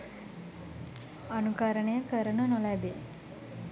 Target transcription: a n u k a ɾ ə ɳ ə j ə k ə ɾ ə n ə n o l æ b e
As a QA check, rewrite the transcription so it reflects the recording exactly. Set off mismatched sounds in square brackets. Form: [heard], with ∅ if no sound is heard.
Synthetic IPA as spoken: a n u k a ɾ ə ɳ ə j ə k ə ɾ ə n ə n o l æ b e